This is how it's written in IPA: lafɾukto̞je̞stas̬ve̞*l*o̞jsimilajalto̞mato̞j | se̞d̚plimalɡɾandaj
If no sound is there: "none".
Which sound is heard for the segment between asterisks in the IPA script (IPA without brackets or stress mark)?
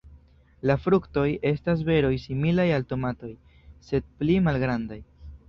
ɾ